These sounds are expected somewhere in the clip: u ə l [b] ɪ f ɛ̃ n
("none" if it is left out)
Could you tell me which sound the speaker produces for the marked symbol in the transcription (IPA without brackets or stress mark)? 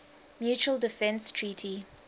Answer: d